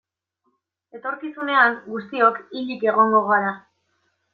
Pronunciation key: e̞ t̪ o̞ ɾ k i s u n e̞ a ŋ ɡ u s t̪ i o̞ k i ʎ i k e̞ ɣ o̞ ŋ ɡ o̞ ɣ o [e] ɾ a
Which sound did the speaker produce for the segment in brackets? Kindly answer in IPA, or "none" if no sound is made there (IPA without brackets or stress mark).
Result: a